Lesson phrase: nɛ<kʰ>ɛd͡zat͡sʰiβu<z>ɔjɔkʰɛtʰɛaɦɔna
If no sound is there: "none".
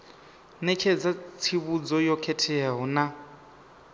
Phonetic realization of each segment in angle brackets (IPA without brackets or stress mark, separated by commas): kʰ, d͡z